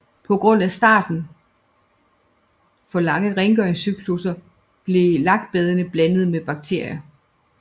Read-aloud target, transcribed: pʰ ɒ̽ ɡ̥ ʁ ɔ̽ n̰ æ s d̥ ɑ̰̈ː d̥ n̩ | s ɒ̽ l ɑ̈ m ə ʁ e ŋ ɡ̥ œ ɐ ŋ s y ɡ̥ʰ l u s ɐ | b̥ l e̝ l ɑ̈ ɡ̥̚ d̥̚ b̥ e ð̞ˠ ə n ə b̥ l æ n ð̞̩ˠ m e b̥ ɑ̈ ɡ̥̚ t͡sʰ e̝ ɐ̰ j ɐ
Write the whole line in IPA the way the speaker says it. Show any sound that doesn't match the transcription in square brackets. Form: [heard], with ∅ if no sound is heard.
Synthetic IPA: pʰ ɒ̽ ɡ̥ ʁ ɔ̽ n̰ æ s d̥ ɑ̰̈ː d̥ n̩ | [f] ɒ̽ l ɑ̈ [ŋ] ə ʁ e ŋ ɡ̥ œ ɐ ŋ s y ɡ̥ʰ l u s ɐ | b̥ l e̝ l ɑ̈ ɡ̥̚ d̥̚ b̥ e ð̞ˠ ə n ə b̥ l æ n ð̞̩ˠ m e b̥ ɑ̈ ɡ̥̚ t͡sʰ e̝ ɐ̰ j ɐ